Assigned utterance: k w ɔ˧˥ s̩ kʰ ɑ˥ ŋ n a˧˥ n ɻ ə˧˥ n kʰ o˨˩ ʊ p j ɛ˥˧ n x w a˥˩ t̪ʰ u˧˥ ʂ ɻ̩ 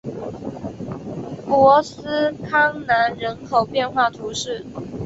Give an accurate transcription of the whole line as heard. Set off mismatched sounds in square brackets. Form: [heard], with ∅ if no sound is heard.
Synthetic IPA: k w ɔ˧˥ s̩ kʰ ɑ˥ ŋ n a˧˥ n ɻ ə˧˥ n kʰ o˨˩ ʊ p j ɛ˥˧ n x w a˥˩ t̪ʰ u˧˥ ʂ ɻ̩

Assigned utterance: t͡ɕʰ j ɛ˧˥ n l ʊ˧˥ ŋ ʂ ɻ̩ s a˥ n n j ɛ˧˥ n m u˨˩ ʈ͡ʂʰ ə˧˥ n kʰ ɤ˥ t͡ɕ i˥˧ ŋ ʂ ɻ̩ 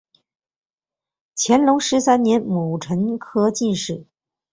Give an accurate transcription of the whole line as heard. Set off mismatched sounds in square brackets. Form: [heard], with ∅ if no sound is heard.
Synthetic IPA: t͡ɕʰ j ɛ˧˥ n l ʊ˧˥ ŋ ʂ ɻ̩ s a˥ n n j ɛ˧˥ n m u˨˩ ʈ͡ʂʰ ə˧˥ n kʰ ɤ˥ t͡ɕ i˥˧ [n] ʂ ɻ̩

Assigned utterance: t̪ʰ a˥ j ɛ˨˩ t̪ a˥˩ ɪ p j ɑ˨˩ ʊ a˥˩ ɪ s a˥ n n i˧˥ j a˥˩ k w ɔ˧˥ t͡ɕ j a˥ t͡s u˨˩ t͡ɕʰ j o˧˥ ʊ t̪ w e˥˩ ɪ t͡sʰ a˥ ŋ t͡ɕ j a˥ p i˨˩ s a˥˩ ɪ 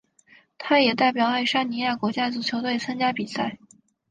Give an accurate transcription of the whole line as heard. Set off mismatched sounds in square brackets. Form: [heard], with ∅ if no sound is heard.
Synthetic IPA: t̪ʰ a˥ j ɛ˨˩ t̪ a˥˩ ɪ p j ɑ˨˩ ʊ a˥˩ ɪ [ʂ] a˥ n n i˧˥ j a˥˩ k w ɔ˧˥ t͡ɕ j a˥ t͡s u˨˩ t͡ɕʰ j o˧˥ ʊ t̪ w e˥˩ ɪ t͡sʰ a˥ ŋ t͡ɕ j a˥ p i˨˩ s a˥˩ ɪ

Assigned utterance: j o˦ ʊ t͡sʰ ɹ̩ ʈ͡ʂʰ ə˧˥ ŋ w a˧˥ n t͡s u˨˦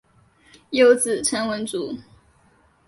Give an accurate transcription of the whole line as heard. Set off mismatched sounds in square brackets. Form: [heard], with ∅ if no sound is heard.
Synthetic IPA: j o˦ ʊ [t͡s] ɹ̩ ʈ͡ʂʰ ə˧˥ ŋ w [ə˧˥] n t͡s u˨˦

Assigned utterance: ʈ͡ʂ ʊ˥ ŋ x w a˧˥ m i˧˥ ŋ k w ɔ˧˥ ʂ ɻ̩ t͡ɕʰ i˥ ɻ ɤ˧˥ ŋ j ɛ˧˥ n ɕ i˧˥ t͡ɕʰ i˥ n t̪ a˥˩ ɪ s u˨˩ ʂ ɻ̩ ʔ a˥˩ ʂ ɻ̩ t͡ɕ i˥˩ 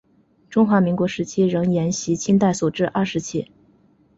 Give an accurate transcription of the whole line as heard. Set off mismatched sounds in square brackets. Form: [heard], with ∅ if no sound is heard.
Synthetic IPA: ʈ͡ʂ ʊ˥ ŋ x w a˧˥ m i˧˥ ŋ k w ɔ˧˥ ʂ ɻ̩ t͡ɕʰ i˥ ɻ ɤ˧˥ ŋ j ɛ˧˥ n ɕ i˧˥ t͡ɕʰ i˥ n t̪ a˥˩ ɪ s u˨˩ [ʈ͡ʂ] ɻ̩ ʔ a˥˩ ʂ ɻ̩ [t͡ɕʰ] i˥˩

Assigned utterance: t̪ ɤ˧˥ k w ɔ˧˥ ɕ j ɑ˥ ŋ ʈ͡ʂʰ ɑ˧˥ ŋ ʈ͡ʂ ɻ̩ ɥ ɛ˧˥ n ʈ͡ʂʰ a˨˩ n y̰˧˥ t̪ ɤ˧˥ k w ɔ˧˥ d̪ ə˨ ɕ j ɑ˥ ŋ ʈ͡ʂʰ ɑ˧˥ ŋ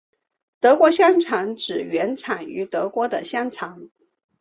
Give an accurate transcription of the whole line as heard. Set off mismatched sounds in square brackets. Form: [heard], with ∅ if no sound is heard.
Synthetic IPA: t̪ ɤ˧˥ k w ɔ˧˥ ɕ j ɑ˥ ŋ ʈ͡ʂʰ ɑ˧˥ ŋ ʈ͡ʂ ɻ̩ ɥ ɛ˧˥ n ʈ͡ʂʰ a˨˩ n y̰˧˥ t̪ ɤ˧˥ k w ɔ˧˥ d̪ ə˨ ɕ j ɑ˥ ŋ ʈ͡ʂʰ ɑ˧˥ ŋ

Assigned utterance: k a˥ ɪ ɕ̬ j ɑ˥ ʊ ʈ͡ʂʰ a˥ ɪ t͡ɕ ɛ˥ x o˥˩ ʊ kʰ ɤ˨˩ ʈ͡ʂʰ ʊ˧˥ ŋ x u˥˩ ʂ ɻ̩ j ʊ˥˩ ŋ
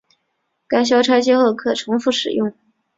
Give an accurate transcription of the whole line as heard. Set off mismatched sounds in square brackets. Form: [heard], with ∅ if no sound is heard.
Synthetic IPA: k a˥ ɪ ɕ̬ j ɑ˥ ʊ ʈ͡ʂʰ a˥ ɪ t͡ɕ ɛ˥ x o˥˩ ʊ kʰ ɤ˨˩ ʈ͡ʂʰ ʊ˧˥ ŋ [f] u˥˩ ʂ ɻ̩ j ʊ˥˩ ŋ

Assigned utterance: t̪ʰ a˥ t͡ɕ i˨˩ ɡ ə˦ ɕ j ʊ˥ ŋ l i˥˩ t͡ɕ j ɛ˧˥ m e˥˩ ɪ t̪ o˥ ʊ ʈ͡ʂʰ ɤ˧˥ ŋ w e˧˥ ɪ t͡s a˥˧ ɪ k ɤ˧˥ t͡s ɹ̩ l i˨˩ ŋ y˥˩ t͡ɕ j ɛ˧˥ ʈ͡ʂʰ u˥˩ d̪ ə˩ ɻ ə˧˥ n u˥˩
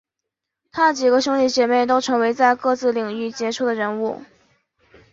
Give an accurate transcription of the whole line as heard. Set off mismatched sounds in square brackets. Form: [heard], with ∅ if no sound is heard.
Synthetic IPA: t̪ʰ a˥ t͡ɕ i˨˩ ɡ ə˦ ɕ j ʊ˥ ŋ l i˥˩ t͡ɕ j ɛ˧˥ m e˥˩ ɪ t̪ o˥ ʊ ʈ͡ʂʰ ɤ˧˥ ŋ w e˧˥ ɪ t͡s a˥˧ ɪ k [ɤ˥˧] t͡s ɹ̩ l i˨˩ ŋ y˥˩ t͡ɕ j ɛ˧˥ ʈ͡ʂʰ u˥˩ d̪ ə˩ ɻ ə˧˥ n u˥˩

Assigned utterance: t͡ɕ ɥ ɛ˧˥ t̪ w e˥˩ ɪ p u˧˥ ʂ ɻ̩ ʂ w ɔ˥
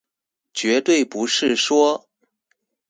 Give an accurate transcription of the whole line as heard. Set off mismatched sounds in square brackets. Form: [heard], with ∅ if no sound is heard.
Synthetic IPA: t͡ɕ ɥ ɛ˧˥ t̪ w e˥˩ ɪ p u˧˥ ʂ ɻ̩ ʂ w ɔ˥

